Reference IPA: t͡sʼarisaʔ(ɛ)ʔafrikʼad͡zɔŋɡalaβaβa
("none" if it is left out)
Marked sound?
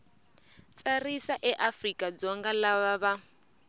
ɛ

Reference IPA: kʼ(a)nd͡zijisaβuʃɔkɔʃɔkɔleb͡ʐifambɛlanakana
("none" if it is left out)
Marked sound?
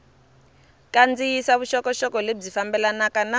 a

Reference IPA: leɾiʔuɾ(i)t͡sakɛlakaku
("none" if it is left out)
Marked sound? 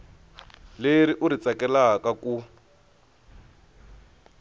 i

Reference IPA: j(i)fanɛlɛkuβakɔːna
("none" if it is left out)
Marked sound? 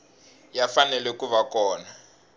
a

